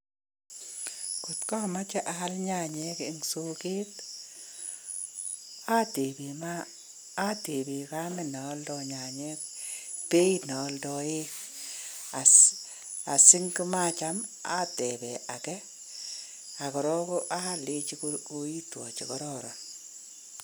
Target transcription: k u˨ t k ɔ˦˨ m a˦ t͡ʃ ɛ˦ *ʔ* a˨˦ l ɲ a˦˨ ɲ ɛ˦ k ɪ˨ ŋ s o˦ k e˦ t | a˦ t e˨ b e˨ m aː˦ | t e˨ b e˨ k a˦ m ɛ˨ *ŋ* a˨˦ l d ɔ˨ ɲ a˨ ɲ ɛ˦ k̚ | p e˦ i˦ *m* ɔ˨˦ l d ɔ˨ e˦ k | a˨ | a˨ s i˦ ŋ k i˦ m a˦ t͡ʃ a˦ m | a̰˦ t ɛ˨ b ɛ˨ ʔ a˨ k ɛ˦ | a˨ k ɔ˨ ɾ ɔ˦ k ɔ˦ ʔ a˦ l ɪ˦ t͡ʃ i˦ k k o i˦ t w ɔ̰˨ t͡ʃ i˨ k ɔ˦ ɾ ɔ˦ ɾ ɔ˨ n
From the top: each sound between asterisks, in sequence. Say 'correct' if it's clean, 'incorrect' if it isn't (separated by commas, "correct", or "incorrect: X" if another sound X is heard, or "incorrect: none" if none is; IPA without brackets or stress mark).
correct, incorrect: n, incorrect: n